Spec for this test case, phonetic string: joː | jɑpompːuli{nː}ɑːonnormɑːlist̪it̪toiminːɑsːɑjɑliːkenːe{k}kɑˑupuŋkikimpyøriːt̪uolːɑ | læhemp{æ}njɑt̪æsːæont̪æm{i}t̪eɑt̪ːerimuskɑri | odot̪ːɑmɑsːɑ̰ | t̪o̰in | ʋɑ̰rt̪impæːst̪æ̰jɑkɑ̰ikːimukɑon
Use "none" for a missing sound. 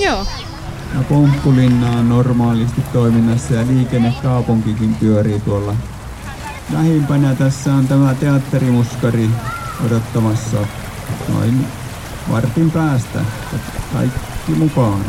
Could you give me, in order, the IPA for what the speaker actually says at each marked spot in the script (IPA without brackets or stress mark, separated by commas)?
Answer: nː, k, æ, æ